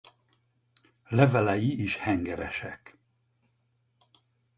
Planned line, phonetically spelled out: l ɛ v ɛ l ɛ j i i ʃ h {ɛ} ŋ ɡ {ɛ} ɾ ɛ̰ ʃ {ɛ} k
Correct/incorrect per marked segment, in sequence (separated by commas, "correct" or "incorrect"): correct, correct, correct